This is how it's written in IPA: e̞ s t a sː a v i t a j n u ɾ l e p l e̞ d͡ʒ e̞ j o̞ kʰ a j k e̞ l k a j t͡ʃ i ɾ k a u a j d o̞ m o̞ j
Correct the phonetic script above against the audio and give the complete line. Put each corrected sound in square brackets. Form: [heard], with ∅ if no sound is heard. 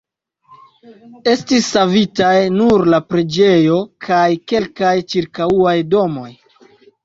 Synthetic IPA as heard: e̞ s t [i] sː a v i t a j n u ɾ l [a] p [ɾ] e̞ d͡ʒ e̞ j o̞ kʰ a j k e̞ l k a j t͡ʃ i ɾ k a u a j d o̞ m o̞ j